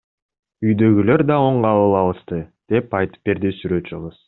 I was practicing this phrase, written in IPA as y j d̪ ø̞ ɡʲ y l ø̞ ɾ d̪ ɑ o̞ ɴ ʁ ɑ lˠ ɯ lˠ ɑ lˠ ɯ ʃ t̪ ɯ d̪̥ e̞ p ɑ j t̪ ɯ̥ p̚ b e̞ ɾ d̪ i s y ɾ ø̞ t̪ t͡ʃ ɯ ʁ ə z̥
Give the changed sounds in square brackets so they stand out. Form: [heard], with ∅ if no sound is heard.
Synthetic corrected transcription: y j d̪ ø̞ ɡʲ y l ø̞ ɾ d̪ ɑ o̞ ɴ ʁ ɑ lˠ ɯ lˠ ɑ lˠ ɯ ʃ t̪ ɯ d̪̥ e̞ p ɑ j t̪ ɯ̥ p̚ b e̞ ɾ d̪ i s y ɾ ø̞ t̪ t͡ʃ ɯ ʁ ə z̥

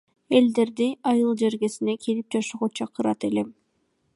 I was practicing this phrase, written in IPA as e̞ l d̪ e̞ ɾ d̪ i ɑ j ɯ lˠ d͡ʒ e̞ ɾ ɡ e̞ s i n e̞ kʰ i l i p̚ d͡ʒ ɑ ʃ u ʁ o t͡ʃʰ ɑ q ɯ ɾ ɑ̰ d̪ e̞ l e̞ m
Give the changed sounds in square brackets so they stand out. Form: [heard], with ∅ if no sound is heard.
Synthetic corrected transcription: e̞ l d̪ e̞ ɾ d̪ i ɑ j ɯ lˠ d͡ʒ e̞ ɾ ɡ e̞ s i n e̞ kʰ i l i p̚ d͡ʒ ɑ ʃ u ʁ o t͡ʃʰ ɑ q ɯ ɾ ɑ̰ [t̪] e̞ l e̞ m

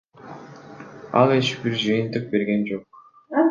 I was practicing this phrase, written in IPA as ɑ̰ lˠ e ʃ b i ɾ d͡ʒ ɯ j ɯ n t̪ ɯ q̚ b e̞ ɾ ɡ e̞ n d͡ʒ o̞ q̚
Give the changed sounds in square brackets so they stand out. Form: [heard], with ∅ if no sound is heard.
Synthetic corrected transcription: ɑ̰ lˠ e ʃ b i ɾ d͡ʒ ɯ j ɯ n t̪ ɯ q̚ b e̞ ɾ ɡ e̞ n d͡ʒ o̞ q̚

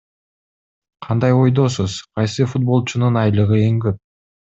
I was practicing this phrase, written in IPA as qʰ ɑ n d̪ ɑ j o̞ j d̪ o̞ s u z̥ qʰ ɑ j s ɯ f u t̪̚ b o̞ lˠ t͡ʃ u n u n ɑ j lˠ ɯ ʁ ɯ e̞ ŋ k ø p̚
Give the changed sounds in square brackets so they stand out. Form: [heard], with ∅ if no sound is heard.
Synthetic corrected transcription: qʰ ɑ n d̪ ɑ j o̞ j d̪ o̞ s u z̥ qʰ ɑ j s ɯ f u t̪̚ b o̞ lˠ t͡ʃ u n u n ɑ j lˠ ɯ ʁ ɯ e̞ ŋ [ɡ] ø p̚

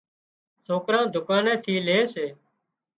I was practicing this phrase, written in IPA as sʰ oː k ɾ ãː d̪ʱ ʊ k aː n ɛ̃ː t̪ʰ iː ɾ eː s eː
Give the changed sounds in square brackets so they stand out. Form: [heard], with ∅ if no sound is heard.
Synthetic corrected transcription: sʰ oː k ɾ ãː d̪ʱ ʊ k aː n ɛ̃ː t̪ʰ iː [l] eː s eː

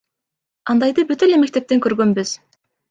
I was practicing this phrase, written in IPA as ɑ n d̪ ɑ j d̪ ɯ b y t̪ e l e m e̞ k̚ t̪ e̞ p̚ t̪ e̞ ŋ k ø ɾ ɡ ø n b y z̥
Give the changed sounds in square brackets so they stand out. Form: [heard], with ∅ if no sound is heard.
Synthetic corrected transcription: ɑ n d̪ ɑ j d̪ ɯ b y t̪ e l e m e̞ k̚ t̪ e̞ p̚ t̪ e̞ ŋ k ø ɾ ɡ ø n b y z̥

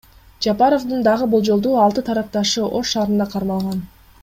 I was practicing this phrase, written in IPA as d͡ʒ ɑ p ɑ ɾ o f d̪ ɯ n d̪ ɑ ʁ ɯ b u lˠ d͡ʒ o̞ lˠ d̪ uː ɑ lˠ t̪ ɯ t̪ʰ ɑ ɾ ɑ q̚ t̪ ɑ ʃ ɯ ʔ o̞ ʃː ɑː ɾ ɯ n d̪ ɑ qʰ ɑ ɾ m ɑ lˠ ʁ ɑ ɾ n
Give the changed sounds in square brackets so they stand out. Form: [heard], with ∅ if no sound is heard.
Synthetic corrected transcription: d͡ʒ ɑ p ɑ ɾ o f d̪ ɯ n d̪ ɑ ʁ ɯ b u lˠ d͡ʒ o̞ lˠ d̪ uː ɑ lˠ t̪ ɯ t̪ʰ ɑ ɾ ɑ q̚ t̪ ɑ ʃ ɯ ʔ o̞ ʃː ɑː ɾ ɯ n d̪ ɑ qʰ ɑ ɾ m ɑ lˠ ʁ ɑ [∅] n

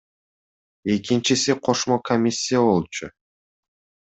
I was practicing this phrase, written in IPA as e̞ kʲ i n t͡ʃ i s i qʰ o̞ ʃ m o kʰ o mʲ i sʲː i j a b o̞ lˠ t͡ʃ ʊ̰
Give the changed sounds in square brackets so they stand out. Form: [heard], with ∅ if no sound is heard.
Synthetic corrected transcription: e̞ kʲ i n t͡ʃ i s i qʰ o̞ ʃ m o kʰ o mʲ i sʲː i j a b o̞ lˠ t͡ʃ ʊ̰

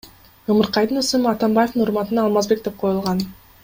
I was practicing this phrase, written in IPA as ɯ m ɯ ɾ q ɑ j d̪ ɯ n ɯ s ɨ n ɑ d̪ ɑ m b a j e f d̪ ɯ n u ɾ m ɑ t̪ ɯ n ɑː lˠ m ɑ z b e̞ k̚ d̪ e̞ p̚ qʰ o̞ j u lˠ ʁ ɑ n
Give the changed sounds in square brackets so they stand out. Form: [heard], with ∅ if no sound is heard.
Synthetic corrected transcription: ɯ m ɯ ɾ q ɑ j d̪ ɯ n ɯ s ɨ [m] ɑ [t̪] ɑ m b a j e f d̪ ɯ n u ɾ m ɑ t̪ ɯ n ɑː lˠ m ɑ z b e̞ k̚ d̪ e̞ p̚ qʰ o̞ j u lˠ ʁ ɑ n

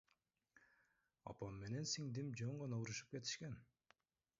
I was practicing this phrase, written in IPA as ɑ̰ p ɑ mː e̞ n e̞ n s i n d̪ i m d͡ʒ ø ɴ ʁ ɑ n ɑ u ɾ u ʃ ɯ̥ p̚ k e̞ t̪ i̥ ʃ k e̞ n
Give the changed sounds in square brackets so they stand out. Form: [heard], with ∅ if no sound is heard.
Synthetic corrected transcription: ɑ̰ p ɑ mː e̞ n e̞ n s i [ŋ] d̪ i m d͡ʒ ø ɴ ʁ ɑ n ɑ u ɾ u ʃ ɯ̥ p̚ k e̞ t̪ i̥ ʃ k e̞ n

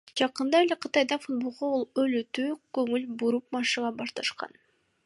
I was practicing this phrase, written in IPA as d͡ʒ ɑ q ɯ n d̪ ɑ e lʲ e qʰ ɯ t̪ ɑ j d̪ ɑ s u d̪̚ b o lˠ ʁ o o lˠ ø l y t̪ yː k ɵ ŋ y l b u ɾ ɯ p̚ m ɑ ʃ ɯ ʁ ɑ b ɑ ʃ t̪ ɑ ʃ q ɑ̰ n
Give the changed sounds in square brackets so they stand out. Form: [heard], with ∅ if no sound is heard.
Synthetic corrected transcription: d͡ʒ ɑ q ɯ n d̪ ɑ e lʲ e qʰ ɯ t̪ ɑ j d̪ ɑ [f] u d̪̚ b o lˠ ʁ o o lˠ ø l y t̪ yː k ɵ ŋ y l b u ɾ [u] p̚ m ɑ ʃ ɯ ʁ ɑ b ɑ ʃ t̪ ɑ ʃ q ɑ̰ n

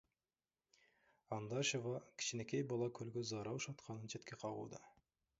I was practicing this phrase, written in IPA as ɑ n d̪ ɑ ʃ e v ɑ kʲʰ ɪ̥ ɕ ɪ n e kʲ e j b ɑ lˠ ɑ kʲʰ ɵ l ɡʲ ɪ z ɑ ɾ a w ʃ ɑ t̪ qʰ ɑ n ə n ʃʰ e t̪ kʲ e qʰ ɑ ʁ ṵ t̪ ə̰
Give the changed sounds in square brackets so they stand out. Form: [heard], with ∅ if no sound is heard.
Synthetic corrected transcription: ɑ n d̪ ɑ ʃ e v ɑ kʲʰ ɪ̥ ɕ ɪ n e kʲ e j b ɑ lˠ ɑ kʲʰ ɵ l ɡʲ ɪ z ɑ ɾ [ɑ] w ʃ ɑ t̪ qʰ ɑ n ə n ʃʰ e t̪ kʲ e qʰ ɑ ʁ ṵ [d̪] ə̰

